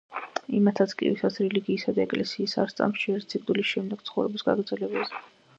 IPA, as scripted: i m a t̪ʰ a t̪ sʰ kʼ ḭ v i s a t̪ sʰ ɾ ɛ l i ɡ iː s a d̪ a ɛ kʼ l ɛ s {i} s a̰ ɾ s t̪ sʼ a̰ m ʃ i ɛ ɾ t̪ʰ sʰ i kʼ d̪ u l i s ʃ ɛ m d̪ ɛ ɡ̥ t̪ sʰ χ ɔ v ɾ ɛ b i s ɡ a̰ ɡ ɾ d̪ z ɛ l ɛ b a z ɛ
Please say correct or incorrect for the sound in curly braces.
incorrect